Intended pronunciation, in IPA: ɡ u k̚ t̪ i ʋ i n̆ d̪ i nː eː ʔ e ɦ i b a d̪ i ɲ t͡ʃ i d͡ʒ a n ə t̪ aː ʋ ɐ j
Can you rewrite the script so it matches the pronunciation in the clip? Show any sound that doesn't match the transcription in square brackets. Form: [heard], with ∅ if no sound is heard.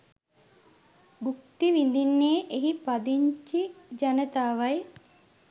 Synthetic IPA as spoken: ɡ u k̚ t̪ i ʋ i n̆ d̪ i nː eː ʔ e ɦ i [p] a d̪ i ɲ t͡ʃ i d͡ʒ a n ə t̪ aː ʋ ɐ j

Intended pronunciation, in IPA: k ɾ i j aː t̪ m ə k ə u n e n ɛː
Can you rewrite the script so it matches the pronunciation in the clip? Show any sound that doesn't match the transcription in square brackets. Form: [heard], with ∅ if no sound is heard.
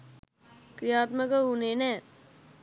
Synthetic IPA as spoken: k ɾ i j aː t̪ m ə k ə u n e n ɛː

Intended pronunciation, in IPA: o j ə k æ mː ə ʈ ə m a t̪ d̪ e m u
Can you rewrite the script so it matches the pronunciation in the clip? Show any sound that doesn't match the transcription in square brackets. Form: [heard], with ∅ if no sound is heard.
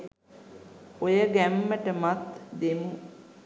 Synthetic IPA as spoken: o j ə [ɡ] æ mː ə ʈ ə m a t̪ d̪ e m u

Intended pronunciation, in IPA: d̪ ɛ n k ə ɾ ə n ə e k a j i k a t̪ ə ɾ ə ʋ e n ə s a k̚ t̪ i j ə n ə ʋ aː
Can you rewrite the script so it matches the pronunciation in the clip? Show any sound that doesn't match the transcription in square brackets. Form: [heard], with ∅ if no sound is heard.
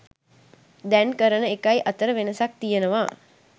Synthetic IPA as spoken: d̪ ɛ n k ə ɾ ə n ə e k a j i [ʔ] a t̪ ə ɾ ə ʋ e n ə s a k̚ t̪ i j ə n ə ʋ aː

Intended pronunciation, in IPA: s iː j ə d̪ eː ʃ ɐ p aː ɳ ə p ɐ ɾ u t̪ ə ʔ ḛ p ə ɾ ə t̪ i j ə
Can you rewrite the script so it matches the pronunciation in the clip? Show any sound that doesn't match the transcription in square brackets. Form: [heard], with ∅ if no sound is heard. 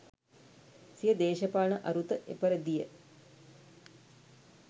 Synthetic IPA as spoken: s [i] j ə d̪ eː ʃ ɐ p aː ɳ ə [ʔ] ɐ ɾ u t̪ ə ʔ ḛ p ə ɾ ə [d̪] i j ə

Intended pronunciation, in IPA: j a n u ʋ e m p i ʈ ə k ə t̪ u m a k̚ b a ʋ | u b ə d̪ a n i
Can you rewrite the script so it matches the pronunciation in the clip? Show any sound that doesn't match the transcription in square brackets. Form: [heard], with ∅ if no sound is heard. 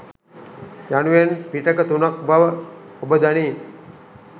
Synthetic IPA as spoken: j a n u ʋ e [n] p i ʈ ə k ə t̪ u [n] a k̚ b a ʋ | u b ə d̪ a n i

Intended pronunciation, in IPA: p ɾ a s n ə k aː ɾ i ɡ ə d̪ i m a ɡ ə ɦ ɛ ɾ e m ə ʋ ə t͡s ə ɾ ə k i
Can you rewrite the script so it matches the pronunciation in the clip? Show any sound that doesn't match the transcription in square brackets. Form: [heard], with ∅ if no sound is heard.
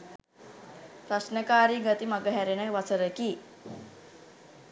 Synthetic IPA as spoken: p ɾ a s n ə k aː ɾ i ɡ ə [t̪] i m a ɡ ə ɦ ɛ ɾ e [n] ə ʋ [a] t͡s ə ɾ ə k i

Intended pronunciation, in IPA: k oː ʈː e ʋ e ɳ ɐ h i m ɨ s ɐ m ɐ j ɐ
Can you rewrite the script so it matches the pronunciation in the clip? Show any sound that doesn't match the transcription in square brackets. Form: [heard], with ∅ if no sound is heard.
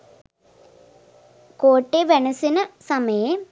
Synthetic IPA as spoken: k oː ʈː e ʋ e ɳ ɐ [s] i [n] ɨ s ɐ m ɐ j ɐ

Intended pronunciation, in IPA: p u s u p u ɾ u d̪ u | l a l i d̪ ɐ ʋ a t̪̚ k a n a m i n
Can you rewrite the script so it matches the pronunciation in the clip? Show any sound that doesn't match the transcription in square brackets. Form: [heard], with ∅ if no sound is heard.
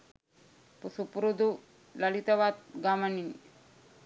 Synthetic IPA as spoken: p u s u p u ɾ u d̪ u | l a l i [t̪] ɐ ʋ a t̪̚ [ɡ] a [m] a [n] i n

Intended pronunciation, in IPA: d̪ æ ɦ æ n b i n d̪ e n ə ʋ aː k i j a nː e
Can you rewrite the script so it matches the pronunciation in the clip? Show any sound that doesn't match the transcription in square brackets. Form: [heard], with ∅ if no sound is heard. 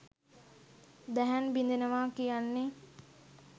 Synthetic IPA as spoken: d̪ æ ɦ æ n b i n d̪ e n ə ʋ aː k i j a nː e

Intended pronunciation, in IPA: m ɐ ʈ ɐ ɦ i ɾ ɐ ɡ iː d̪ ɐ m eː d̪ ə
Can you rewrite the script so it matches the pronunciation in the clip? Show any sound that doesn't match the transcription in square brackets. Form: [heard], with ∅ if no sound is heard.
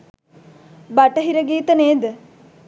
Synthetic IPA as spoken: [b] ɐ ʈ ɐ ɦ i ɾ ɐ ɡ iː [t̪] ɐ [n] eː d̪ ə

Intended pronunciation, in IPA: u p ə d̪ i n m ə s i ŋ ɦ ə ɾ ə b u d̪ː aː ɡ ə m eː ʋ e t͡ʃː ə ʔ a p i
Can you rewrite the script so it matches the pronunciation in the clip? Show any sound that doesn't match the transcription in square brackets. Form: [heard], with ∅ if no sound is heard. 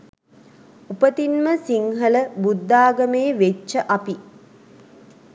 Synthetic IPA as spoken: u p ə [t̪] i n m ə s i ŋ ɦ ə [l] ə b u d̪ː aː ɡ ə m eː ʋ e t͡ʃː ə ʔ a p i

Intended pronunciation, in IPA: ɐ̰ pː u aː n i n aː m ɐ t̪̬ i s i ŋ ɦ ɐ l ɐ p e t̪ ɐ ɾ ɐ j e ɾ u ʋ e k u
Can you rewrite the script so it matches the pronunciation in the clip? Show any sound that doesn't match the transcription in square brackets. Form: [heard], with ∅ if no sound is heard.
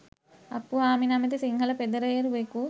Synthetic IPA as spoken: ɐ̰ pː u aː [m] i n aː m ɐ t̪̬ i s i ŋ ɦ ɐ l ɐ p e [d̪] ɐ ɾ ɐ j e ɾ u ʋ e k u

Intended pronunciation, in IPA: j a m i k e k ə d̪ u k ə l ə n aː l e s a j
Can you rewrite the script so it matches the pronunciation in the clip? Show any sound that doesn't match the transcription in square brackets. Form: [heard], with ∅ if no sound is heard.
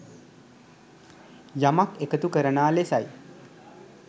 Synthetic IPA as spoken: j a m [a] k e k ə [t̪] u k ə [ɾ] ə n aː l e s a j

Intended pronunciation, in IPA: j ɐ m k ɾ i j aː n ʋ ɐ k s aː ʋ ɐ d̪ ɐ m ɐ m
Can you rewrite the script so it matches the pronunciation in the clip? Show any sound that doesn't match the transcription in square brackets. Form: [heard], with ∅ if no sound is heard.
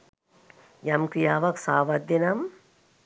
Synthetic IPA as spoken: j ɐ m k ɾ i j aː [∅] ʋ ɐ k s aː ʋ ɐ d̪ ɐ [n] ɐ m

